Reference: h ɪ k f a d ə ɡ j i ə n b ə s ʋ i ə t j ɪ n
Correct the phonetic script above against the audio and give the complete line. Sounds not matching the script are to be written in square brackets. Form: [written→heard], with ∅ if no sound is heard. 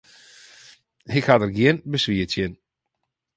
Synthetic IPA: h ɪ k [f→h] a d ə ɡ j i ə n b ə s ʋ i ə t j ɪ n